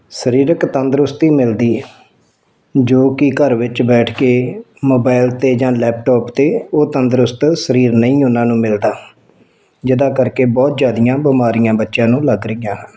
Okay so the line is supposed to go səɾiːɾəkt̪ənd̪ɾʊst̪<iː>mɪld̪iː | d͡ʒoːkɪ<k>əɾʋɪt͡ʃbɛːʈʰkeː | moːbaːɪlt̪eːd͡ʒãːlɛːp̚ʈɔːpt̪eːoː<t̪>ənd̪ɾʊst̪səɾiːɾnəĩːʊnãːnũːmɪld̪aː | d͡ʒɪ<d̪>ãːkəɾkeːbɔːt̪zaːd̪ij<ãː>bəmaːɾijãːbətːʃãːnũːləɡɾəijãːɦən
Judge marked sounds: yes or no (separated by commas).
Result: yes, yes, yes, yes, yes